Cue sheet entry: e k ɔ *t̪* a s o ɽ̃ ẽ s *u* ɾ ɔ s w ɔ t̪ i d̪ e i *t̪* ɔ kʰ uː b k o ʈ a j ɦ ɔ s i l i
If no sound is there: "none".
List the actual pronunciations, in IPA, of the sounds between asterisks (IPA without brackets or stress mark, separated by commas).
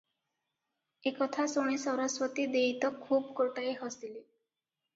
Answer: t̪ʰ, ɔ, t̪